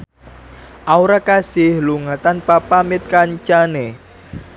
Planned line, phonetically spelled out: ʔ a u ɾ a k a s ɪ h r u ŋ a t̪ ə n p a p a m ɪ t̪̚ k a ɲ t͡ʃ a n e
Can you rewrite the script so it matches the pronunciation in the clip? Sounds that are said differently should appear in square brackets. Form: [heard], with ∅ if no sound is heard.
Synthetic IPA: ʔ a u ɾ a k a s ɪ h [l] u ŋ a t̪ [a] n p a p a m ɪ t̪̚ k a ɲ t͡ʃ a n e